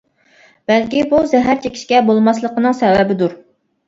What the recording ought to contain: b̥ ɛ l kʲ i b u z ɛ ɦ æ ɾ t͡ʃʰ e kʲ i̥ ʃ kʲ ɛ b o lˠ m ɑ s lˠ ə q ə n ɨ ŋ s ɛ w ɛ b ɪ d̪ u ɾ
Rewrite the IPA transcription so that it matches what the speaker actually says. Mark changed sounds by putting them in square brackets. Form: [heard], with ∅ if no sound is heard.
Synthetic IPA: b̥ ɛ l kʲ i b u z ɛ ɦ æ ɾ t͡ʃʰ e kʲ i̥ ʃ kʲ ɛ b o lˠ m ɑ s lˠ ə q ə n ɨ ŋ s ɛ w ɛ b ɪ d̪ u ɾ